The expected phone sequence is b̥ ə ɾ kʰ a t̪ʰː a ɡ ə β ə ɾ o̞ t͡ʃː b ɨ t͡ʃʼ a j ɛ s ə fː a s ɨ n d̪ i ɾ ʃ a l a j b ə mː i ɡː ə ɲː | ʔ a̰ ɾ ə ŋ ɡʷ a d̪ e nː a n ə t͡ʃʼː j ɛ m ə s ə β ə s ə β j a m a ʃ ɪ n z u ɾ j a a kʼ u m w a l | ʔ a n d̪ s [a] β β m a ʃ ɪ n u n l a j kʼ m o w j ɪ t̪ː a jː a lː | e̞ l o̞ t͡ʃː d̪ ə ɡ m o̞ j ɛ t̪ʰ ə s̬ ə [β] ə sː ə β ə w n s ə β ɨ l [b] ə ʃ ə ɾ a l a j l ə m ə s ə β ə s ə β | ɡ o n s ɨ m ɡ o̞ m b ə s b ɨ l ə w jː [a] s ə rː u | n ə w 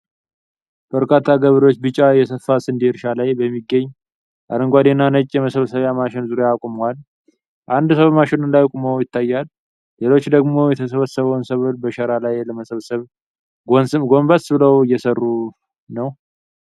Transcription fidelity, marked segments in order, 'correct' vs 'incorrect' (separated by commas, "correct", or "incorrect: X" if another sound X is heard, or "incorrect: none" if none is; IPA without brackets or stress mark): incorrect: ə, correct, correct, incorrect: ɛ